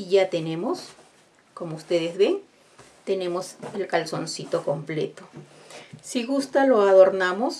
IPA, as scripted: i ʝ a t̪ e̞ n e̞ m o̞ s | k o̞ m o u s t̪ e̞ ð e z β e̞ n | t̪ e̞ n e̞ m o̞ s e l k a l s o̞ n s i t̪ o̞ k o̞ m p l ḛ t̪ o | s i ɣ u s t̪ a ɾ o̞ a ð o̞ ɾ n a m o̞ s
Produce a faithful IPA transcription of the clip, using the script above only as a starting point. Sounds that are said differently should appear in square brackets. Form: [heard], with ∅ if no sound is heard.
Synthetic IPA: i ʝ a t̪ e̞ n e̞ m o̞ s | k o̞ m o u s t̪ e̞ ð e z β e̞ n | t̪ e̞ n e̞ m o̞ s e l k a l s o̞ n s i t̪ o̞ k o̞ m p l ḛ t̪ o | s i ɣ u s t̪ a [l] o̞ a ð o̞ ɾ n a m o̞ s